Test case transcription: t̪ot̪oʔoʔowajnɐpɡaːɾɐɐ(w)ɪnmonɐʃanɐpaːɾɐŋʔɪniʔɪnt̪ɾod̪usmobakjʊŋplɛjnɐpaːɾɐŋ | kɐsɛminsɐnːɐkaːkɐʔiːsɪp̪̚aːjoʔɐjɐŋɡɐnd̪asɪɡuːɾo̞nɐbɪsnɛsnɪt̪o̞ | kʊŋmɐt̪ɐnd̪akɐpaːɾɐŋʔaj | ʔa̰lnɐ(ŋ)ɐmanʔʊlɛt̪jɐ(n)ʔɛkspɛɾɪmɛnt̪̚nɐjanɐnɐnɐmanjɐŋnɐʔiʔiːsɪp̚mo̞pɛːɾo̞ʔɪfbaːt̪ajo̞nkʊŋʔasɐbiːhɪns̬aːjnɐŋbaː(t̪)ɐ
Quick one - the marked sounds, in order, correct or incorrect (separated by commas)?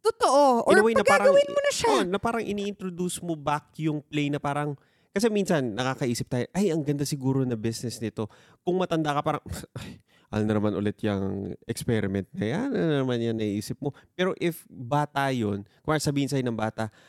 correct, incorrect, incorrect, correct